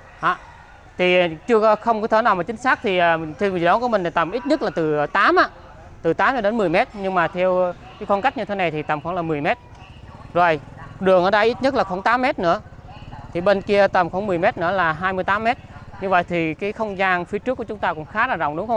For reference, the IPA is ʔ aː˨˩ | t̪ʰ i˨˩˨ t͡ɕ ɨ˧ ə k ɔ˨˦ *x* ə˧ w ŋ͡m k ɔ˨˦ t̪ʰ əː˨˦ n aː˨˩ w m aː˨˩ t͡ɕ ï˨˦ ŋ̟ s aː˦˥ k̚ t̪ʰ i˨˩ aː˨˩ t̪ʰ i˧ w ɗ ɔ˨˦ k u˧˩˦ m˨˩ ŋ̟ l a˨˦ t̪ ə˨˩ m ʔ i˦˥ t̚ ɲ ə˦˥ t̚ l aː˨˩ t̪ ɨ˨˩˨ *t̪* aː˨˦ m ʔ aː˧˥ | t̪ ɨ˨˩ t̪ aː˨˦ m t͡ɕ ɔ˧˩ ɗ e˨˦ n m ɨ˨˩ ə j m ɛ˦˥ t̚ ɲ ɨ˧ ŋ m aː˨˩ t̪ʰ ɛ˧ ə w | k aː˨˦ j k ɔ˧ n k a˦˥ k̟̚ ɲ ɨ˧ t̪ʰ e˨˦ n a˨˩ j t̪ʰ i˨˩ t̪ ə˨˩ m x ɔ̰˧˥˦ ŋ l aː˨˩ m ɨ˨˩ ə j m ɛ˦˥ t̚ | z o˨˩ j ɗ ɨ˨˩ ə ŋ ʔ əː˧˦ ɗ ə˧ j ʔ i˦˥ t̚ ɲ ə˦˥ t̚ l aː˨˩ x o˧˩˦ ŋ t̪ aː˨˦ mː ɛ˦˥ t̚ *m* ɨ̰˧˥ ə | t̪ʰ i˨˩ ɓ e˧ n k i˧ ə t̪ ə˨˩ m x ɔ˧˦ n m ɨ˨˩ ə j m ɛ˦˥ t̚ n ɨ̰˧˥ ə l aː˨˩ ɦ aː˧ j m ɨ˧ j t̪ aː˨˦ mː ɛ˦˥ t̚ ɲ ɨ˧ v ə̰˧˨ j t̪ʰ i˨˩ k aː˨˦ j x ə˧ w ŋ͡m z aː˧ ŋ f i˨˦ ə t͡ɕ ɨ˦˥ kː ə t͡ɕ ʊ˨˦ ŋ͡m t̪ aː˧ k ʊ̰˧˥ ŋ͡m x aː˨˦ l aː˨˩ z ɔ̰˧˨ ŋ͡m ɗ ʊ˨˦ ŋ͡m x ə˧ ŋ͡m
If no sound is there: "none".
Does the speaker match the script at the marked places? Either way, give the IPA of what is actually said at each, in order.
x, t̪, n

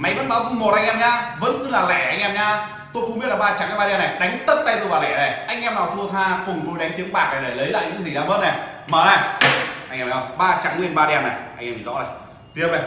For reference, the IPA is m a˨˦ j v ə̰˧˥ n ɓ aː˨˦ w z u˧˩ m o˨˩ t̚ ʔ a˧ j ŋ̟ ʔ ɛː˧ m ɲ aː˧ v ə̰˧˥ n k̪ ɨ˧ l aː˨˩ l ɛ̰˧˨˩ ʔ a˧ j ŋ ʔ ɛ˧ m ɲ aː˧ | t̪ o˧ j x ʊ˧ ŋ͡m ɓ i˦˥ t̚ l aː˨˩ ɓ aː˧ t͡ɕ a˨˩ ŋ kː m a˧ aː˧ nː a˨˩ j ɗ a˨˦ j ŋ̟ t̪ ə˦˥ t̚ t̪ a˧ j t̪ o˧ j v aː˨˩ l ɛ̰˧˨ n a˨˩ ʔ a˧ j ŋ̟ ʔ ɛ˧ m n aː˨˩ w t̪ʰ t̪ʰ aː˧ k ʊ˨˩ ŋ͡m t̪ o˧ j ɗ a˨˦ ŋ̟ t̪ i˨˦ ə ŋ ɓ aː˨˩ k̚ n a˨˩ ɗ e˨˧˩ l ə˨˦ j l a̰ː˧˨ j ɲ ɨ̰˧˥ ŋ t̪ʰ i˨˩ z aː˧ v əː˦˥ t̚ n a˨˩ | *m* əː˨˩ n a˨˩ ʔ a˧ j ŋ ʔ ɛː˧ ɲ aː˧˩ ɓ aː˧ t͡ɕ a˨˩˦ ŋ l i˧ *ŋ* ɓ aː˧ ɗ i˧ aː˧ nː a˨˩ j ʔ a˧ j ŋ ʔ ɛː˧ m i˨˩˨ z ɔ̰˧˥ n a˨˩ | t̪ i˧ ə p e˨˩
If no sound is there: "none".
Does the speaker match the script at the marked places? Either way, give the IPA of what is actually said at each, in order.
m, n

